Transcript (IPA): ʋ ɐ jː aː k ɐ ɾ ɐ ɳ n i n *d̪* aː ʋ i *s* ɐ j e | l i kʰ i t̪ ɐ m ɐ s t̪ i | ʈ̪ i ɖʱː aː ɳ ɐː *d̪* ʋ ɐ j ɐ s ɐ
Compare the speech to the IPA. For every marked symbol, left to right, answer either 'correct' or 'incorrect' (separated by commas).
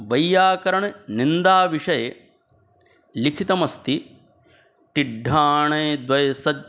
correct, incorrect, correct